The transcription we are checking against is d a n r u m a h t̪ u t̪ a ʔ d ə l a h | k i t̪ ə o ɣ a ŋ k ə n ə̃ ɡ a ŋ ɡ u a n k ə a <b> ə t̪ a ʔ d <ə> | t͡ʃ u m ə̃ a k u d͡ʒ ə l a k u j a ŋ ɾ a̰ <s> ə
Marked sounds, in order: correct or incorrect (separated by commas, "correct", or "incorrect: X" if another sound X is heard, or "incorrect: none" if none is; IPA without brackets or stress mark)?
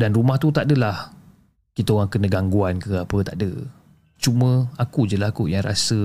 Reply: incorrect: p, correct, correct